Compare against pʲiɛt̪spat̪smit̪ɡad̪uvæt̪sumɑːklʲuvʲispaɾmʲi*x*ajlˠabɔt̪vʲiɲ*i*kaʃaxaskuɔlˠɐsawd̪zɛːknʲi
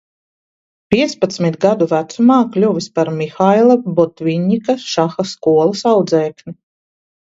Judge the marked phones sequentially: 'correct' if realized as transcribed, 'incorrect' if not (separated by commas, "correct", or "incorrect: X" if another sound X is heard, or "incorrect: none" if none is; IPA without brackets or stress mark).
correct, correct